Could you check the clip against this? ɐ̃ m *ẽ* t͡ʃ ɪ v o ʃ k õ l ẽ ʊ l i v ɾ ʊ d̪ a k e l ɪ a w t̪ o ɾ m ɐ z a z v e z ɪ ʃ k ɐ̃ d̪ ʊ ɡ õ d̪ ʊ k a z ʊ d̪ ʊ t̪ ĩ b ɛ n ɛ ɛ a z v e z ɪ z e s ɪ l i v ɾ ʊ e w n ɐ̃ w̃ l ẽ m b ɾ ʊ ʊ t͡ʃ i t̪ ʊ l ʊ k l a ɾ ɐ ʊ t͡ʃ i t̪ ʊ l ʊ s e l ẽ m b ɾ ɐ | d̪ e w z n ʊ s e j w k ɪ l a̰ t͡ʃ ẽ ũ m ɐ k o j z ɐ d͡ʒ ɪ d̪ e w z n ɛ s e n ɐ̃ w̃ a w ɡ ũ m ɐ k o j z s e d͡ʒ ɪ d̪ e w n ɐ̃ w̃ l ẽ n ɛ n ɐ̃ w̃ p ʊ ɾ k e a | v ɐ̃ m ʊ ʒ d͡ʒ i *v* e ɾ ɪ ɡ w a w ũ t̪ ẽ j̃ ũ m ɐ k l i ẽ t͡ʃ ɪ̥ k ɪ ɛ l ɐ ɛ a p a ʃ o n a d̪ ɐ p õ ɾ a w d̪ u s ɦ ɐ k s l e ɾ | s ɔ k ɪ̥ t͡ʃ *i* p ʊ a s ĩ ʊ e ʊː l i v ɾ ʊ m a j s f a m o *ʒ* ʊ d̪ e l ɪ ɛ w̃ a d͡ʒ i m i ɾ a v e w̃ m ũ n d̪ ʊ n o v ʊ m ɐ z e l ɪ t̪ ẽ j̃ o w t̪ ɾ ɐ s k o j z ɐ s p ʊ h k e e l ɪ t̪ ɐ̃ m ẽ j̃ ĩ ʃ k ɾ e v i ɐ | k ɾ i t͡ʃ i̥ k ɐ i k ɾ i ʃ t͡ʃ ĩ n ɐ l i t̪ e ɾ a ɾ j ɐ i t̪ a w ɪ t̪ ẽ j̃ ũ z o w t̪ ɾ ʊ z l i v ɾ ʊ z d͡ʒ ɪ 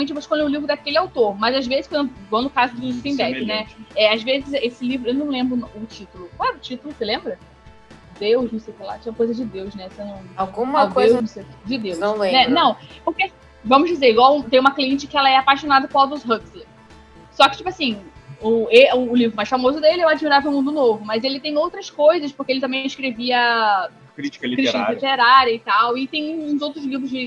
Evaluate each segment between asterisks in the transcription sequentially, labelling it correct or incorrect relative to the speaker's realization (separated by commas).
correct, incorrect, correct, incorrect